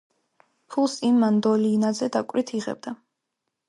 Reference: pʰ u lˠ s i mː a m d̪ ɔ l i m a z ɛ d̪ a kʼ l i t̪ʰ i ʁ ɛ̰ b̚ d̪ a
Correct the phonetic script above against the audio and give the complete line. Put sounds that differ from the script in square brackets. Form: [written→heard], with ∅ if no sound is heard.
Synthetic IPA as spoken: pʰ u lˠ s i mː a [m→n] d̪ ɔ l i [m→n] a z ɛ d̪ a kʼ [l→ɾ] i t̪ʰ i ʁ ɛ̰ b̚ d̪ a